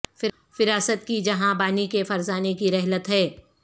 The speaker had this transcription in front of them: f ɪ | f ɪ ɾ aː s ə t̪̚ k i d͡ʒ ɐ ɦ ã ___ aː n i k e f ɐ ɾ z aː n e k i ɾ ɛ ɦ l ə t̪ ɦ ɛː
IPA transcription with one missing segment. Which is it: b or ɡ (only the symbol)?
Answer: b